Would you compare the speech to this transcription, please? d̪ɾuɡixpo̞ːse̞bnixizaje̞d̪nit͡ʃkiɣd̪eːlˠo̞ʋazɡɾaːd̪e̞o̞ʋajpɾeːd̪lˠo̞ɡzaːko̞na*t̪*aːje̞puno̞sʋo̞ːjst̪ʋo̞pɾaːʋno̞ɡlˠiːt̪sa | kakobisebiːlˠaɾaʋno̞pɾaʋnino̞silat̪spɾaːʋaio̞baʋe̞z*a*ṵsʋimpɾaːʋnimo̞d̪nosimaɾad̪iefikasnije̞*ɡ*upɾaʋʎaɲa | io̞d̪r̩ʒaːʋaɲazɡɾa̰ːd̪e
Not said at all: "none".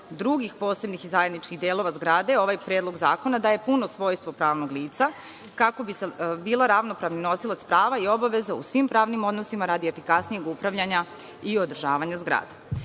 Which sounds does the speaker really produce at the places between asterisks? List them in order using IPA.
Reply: d̪, a, ɡ

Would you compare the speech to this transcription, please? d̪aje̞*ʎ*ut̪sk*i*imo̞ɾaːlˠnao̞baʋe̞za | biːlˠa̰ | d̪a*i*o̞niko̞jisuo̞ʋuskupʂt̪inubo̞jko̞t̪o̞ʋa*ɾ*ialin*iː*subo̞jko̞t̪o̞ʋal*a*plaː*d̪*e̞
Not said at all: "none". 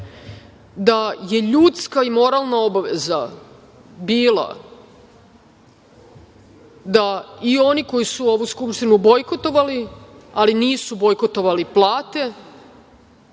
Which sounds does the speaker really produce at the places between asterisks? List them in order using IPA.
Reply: ʎ, a, i, l, iː, i, t̪

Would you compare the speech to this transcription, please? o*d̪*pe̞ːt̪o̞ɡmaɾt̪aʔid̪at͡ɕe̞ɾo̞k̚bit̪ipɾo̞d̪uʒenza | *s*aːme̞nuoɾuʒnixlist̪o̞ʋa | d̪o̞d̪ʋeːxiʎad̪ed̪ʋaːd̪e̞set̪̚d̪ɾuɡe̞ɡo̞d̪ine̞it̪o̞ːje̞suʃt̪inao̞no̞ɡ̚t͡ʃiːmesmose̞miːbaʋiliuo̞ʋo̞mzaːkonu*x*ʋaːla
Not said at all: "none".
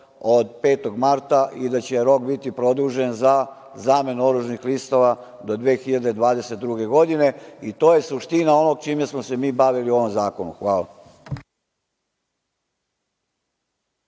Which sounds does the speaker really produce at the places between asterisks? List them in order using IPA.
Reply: d̪, z, x

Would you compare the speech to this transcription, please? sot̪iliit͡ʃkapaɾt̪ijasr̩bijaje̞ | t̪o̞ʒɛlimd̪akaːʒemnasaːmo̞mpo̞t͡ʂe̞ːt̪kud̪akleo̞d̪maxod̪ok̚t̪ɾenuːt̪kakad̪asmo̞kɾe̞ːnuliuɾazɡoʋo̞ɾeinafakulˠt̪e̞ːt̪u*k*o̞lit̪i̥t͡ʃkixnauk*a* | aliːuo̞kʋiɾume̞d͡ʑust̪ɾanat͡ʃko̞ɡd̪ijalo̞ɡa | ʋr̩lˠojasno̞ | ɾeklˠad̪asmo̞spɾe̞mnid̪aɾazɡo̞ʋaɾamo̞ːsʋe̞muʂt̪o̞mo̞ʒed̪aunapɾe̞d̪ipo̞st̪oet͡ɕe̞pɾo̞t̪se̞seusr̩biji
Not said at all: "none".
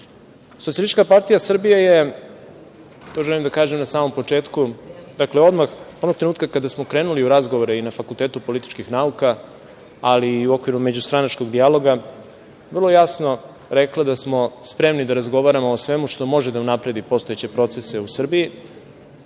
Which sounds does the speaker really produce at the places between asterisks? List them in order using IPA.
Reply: p, a

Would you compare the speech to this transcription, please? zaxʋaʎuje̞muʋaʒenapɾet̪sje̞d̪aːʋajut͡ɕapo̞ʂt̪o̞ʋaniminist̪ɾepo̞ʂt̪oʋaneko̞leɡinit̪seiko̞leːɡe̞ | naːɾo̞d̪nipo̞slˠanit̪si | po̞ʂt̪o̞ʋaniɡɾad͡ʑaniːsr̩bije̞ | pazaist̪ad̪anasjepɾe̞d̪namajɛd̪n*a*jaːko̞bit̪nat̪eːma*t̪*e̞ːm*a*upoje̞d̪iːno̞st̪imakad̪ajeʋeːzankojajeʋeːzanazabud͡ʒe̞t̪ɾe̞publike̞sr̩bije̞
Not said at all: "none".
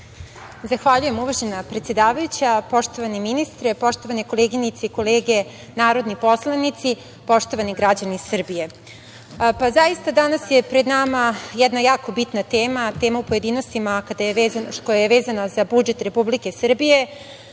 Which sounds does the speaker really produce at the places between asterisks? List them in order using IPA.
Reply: a, t̪, a

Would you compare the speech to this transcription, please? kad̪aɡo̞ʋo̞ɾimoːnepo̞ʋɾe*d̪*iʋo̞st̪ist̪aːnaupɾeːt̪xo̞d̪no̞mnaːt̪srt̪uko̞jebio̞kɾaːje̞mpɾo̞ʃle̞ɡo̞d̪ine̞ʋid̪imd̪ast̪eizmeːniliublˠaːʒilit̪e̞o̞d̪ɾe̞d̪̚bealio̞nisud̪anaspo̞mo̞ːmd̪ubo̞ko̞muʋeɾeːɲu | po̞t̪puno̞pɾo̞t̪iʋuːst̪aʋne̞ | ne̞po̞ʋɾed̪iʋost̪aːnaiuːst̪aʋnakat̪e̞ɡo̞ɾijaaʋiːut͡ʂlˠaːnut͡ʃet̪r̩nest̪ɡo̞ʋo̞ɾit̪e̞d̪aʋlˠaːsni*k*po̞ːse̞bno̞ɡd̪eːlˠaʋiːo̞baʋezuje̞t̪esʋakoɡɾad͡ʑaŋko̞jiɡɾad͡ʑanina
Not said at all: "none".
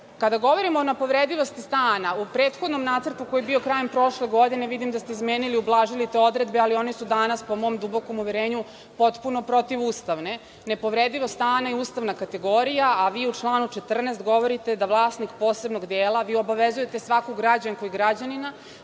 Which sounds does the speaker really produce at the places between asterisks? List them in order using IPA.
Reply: d̪, k

